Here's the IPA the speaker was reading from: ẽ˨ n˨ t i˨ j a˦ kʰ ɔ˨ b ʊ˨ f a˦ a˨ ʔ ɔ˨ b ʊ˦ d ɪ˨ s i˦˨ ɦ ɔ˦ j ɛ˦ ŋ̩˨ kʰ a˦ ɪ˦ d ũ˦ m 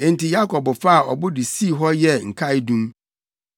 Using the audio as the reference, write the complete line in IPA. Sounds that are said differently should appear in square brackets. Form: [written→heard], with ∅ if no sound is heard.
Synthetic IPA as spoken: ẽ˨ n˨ t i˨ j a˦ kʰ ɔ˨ b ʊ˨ f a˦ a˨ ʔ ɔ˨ b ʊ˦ d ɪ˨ s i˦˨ ɦ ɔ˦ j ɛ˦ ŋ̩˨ kʰ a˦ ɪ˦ d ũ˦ m